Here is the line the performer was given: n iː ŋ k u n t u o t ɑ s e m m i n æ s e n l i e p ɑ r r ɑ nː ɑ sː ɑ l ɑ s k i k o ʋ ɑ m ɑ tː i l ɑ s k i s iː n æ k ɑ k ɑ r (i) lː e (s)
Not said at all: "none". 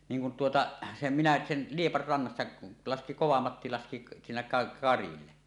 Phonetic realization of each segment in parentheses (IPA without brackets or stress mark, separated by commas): i, none